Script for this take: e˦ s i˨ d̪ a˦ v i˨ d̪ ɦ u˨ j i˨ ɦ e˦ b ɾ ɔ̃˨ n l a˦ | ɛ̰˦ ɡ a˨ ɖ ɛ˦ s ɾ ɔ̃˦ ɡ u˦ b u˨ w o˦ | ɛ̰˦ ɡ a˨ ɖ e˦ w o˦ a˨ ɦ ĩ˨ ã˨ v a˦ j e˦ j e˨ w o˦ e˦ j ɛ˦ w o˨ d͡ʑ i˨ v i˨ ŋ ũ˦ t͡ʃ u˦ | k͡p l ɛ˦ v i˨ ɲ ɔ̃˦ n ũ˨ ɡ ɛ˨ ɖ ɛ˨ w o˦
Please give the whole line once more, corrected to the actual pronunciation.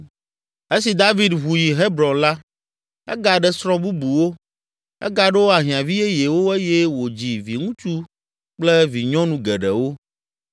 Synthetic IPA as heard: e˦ s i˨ d̪ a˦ v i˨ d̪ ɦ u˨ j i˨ ɦ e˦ b ɾ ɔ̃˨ n l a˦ | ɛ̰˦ ɡ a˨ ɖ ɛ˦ s ɾ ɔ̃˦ b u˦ b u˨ w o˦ | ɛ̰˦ ɡ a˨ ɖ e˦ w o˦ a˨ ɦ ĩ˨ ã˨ v i˦ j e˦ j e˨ w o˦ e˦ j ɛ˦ w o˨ d͡ʑ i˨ v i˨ ŋ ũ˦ t͡ʃ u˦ | k͡p l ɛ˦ v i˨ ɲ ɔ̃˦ n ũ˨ ɡ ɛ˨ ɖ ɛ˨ w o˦